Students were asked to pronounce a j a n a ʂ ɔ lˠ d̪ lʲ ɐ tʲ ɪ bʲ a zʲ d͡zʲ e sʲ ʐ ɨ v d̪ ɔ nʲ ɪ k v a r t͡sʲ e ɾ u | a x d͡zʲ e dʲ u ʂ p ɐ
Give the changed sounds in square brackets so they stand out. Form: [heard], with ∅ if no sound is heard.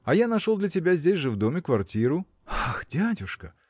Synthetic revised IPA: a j a n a ʂ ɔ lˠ d̪ lʲ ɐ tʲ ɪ bʲ a zʲ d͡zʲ e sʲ ʐ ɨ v d̪ ɔ [mʲ] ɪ k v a r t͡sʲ [i] ɾ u | a x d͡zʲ [a] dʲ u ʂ [k] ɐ